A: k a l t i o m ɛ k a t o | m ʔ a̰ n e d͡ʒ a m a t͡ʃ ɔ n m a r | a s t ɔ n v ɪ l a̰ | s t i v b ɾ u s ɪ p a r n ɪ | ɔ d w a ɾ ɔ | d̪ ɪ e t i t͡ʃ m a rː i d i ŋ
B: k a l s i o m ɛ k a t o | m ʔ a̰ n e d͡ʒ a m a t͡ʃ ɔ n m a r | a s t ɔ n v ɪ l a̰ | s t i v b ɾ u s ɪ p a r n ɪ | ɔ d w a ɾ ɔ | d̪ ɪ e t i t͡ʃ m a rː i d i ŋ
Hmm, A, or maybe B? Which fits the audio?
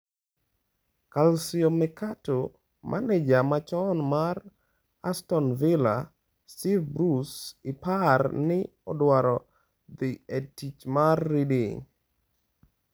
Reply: B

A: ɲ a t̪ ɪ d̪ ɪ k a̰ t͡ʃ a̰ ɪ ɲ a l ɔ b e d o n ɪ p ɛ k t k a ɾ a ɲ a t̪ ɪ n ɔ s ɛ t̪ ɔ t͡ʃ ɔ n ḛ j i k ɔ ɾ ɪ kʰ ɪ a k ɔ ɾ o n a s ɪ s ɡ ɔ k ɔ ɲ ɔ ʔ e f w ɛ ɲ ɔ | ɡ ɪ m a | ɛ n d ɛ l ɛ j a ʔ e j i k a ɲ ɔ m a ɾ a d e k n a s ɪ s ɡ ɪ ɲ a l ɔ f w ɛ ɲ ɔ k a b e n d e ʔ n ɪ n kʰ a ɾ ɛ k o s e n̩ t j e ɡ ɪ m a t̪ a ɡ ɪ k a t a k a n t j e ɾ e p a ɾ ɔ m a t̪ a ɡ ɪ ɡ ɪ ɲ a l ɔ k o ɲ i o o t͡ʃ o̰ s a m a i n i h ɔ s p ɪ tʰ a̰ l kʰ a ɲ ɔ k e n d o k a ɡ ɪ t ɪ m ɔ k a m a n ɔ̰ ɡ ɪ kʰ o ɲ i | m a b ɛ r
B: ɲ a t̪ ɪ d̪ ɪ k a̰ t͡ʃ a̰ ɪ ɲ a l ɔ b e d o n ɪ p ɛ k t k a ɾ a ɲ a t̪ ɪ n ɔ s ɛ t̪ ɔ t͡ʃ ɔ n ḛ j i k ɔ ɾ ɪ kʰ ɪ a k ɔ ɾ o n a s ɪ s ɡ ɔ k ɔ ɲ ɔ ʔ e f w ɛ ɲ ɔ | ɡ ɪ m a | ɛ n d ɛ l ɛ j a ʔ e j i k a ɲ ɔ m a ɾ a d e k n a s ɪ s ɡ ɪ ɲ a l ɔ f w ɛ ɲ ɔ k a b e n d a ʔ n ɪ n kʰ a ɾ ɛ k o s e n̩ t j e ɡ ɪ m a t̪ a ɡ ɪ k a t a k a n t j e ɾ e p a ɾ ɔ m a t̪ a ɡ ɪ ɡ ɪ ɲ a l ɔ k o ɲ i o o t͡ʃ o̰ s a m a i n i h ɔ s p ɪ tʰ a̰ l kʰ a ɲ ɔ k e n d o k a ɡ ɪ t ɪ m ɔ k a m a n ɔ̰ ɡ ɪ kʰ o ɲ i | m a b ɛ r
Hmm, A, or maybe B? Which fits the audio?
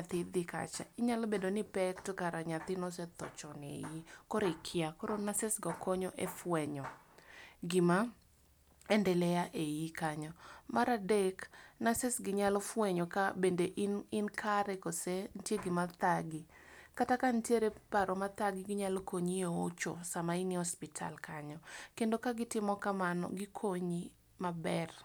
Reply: A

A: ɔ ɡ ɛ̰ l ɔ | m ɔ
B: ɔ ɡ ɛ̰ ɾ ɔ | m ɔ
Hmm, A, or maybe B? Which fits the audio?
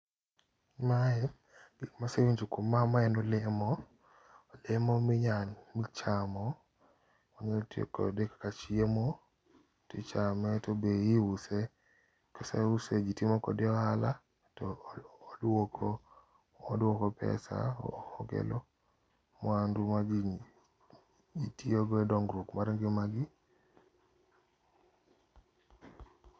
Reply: A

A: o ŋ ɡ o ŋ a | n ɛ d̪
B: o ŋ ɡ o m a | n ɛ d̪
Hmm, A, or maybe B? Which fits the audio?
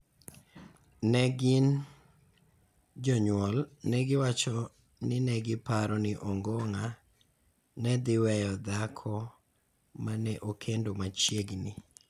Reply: A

